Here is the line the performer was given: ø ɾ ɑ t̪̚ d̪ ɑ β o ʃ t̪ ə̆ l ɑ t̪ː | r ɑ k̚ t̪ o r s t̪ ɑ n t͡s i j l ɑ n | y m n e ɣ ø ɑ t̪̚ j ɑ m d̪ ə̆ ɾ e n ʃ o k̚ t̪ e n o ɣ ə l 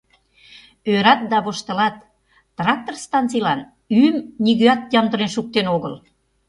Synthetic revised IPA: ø ɾ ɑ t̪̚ d̪ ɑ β o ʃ t̪ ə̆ l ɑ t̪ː | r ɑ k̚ t̪ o r s t̪ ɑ n t͡s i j l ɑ n | y m n i ɣ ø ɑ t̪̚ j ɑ m d̪ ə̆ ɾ e n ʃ u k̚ t̪ e n o ɣ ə l